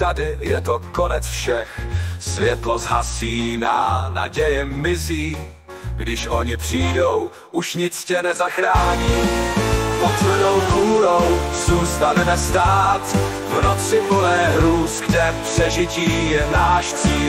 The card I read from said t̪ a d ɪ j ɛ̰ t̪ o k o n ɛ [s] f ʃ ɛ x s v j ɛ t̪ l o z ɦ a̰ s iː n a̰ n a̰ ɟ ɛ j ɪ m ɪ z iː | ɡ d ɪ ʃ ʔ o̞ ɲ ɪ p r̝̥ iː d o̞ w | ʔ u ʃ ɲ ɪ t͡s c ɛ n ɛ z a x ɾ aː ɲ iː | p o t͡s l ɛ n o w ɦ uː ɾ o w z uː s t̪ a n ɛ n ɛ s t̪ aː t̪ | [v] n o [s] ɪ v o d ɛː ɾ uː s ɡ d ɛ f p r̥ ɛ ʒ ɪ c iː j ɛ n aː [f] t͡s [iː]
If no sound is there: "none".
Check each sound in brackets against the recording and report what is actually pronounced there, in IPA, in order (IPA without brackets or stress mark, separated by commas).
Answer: t͡s, v, t͡s, ʃ, iː